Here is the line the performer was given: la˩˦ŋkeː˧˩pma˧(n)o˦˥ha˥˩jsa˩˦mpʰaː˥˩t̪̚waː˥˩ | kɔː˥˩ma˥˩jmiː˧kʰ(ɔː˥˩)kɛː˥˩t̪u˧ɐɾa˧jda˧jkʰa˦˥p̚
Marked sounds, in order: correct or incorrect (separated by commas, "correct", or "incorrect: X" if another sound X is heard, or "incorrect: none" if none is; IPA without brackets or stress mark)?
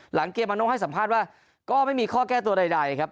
correct, correct